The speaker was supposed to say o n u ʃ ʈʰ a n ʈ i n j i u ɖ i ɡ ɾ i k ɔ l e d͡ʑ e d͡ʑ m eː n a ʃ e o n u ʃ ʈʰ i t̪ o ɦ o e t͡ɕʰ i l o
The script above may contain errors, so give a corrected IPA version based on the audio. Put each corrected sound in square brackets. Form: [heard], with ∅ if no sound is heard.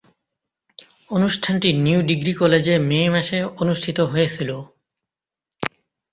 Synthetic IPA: o n u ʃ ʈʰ a n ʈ i n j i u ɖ i ɡ ɾ i k ɔ l e d͡ʑ e [∅] m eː [m] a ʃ e o n u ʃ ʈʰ i t̪ o ɦ o e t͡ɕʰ i l o